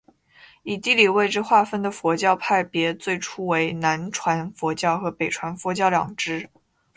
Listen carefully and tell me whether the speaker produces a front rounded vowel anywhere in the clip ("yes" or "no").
no